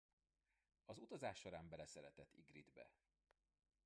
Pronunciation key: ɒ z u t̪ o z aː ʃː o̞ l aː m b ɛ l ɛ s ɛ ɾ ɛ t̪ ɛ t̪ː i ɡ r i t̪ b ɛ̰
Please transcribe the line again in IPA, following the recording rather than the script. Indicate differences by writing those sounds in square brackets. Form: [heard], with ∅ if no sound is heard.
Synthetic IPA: ɒ z u t̪ [ɒ] z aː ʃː o̞ [ɾ] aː m b ɛ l ɛ s ɛ ɾ ɛ t̪ ɛ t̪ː i ɡ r i [d̪] b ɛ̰